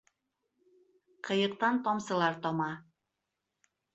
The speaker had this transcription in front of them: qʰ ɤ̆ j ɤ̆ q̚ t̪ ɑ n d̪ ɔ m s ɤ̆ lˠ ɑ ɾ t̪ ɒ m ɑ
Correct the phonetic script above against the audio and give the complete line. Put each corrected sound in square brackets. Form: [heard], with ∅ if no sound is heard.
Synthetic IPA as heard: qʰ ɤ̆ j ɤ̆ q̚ t̪ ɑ n [t̪] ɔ m s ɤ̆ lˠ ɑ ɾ t̪ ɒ m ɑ